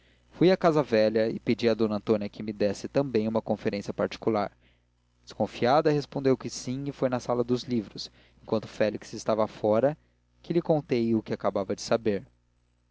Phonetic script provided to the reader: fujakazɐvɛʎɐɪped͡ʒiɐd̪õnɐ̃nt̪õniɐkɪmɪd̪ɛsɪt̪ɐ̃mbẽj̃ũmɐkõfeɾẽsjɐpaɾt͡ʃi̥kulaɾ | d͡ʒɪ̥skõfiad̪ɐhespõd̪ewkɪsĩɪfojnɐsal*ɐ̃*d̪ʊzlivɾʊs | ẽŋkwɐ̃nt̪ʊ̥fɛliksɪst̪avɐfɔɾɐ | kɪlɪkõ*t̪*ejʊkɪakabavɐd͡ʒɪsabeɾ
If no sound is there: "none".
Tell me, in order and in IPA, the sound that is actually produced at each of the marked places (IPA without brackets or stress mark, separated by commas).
ɐ, t̪